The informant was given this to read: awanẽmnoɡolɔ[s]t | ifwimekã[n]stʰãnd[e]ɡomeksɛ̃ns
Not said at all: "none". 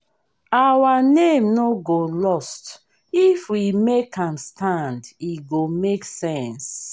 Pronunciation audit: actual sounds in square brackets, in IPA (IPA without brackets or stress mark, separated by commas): s, m, i